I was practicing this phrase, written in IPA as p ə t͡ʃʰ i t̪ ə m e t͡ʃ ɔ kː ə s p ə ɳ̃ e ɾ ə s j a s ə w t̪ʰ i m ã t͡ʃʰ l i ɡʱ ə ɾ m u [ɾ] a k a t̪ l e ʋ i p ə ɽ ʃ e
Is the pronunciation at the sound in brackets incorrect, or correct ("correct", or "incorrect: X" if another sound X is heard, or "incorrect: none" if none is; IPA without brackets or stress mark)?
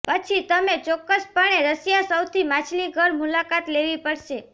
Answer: incorrect: l